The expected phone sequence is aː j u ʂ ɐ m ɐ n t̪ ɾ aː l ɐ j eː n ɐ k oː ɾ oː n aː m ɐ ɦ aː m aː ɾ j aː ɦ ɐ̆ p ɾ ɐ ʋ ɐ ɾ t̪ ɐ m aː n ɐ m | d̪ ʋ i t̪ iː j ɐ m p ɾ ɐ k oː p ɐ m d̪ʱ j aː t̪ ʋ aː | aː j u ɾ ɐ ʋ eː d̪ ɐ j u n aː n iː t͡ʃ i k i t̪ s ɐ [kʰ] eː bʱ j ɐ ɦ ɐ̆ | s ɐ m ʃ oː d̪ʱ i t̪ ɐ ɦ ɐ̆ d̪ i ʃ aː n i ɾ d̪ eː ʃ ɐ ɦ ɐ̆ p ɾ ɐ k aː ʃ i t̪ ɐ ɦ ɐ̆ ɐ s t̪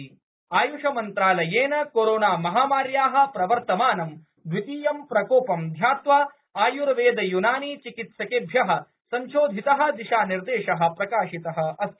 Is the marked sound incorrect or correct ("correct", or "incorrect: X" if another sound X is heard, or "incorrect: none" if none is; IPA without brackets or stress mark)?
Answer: incorrect: k